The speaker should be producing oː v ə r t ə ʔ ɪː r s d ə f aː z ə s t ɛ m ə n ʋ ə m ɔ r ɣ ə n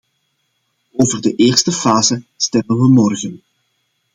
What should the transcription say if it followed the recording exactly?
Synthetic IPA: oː v ə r d ə ʔ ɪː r s t ə f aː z ə s t ɛ m ə n ʋ ə m ɔ r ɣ ə n

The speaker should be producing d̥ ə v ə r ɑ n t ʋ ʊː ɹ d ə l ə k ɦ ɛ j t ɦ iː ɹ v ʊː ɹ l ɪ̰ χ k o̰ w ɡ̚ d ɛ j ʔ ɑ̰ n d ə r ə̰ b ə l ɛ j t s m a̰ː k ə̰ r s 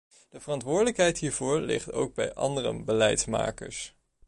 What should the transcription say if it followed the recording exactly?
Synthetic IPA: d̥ ə v ə r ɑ n t ʋ ʊː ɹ d ə l ə k ɦ ɛ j t ɦ iː ɹ v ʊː ɹ l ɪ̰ χ t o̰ w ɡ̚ b ɛ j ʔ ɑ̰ n d ə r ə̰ b ə l ɛ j t s m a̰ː k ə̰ ɹ s

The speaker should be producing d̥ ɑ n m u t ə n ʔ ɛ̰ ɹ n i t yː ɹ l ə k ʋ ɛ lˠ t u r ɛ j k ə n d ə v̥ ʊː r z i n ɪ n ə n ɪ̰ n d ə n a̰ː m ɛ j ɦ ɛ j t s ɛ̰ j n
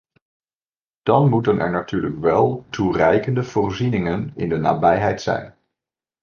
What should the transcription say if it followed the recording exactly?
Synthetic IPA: d̥ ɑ n m u t ə n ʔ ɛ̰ ɹ n a t yː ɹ l ə k ʋ ɛ lˠ t u r ɛ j k ə n d ə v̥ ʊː r z i n ɪ ŋ ə n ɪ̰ n d ə n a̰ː b ɛ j ɦ ɛ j t s ɛ̰ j n

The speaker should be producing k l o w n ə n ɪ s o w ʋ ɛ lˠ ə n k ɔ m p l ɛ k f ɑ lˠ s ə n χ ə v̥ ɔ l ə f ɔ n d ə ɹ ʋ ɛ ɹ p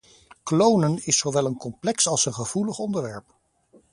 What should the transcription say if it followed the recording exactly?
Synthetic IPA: k l o w n ə n ɪ s o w ʋ ɛ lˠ ə n k ɔ m p l ɛ k s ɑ lˠ s ə n χ ə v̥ u l ə χ ɔ n d ə ɹ ʋ ɛ ɹ p

